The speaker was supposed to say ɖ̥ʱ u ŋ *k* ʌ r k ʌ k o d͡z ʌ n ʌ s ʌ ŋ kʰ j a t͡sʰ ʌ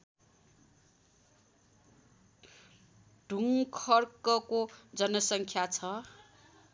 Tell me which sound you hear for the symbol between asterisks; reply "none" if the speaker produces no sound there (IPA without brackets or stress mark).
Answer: kʰ